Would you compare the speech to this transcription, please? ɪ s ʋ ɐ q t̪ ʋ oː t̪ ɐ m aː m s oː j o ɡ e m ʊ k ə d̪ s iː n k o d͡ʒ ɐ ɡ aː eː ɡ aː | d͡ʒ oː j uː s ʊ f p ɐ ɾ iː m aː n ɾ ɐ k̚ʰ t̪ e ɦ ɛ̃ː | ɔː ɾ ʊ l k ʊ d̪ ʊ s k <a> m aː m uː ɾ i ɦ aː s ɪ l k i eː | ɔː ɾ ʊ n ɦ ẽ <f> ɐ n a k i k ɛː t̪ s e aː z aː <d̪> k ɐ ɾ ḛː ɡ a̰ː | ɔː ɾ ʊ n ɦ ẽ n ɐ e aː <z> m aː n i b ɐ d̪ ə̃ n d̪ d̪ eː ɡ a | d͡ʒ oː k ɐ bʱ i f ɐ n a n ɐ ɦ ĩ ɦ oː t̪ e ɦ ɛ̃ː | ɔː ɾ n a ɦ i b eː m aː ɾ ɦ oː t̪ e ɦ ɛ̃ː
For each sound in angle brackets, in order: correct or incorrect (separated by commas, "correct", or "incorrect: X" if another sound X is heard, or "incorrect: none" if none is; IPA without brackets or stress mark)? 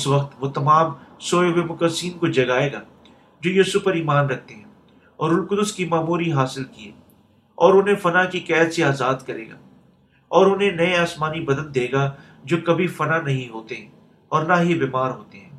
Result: incorrect: i, correct, correct, incorrect: s